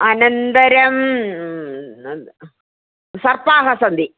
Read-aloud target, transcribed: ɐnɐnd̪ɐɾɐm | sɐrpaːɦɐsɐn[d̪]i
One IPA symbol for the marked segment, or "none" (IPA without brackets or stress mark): d̪